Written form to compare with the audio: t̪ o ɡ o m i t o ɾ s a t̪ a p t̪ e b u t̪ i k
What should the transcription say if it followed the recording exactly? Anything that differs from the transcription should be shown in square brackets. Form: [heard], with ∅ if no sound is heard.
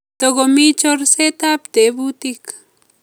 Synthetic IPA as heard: t̪ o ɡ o m i [t͡ʃ] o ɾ s [e] t̪ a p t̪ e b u t̪ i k